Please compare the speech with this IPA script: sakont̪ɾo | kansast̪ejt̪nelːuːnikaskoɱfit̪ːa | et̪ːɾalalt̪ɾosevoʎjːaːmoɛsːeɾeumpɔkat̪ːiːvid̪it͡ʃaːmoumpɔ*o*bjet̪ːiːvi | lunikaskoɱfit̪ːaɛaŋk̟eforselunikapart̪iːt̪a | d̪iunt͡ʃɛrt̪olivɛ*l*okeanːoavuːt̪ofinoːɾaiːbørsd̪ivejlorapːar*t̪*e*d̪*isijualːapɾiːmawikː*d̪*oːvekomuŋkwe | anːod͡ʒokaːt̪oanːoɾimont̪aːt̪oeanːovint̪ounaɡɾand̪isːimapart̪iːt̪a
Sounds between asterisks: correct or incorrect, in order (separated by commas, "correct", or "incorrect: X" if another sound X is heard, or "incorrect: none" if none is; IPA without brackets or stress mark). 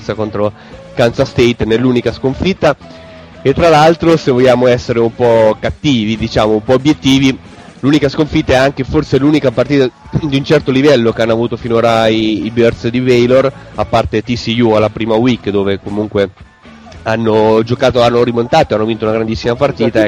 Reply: correct, incorrect: lː, correct, incorrect: t̪, correct